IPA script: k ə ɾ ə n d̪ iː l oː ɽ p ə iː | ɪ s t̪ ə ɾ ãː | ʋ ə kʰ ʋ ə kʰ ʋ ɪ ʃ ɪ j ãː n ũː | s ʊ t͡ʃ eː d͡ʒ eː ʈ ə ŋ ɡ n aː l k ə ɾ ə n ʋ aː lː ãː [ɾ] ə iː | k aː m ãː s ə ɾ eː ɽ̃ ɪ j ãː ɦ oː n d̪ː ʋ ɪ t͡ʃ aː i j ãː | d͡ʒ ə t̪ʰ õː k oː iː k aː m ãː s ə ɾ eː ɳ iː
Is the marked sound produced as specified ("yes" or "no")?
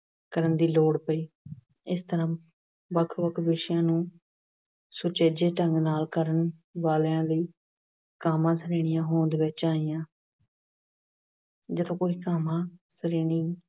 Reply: no